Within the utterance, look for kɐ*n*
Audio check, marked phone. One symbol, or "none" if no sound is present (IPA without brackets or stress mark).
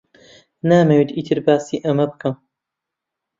m